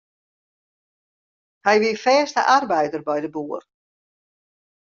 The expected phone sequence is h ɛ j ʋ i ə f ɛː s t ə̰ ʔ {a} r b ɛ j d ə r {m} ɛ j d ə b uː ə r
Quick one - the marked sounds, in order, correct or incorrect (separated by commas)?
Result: correct, incorrect